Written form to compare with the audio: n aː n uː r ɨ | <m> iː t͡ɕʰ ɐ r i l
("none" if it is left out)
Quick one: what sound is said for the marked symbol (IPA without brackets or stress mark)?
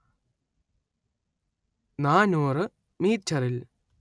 m